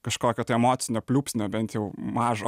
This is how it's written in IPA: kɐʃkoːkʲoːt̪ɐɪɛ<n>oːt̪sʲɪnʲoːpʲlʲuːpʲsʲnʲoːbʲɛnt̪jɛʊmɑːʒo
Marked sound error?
yes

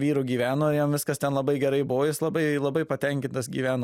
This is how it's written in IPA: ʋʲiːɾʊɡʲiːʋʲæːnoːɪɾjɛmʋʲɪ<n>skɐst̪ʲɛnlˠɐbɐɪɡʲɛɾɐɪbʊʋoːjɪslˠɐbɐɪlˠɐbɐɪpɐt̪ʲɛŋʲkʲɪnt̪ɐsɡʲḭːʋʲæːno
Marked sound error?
yes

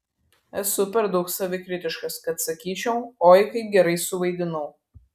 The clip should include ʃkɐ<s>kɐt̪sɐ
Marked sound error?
no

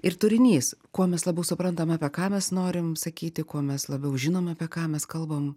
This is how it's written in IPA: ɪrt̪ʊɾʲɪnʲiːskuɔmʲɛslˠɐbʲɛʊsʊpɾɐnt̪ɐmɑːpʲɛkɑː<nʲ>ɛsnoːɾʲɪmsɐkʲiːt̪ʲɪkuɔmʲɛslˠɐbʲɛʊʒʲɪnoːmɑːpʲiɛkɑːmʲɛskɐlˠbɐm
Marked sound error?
yes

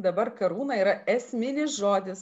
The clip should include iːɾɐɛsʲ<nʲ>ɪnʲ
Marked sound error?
yes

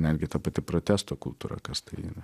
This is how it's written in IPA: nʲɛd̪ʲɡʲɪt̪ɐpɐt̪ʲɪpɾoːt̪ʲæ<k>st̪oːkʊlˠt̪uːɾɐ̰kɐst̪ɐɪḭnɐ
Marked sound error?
yes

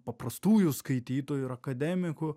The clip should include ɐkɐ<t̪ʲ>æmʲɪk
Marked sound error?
yes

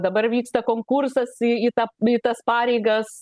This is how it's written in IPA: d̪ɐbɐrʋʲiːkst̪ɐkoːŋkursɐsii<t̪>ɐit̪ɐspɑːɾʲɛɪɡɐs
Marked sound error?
no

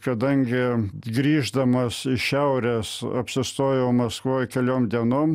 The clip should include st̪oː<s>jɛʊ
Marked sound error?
yes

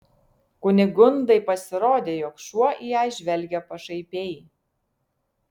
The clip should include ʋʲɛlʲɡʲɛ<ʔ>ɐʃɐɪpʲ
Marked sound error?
yes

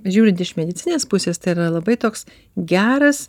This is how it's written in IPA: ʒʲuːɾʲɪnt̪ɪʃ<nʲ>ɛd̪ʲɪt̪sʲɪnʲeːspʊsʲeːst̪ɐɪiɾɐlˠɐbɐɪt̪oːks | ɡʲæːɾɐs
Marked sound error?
yes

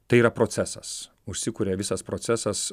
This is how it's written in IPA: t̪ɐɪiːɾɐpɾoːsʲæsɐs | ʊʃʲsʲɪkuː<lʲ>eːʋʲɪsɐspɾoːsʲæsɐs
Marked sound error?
yes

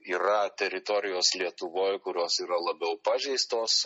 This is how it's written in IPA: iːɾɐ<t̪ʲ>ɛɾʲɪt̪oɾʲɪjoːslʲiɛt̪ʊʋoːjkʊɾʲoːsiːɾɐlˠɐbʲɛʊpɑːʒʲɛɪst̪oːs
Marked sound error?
no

